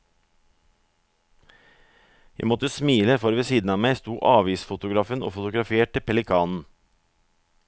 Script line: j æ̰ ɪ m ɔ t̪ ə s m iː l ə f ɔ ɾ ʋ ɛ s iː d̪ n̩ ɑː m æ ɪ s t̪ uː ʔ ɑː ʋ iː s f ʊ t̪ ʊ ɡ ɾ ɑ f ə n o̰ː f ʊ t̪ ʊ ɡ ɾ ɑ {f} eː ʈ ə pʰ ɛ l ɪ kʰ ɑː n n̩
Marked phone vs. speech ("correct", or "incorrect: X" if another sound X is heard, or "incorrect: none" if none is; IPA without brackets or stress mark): correct